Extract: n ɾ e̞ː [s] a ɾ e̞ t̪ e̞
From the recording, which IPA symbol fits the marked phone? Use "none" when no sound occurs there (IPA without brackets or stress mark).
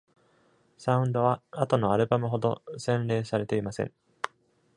s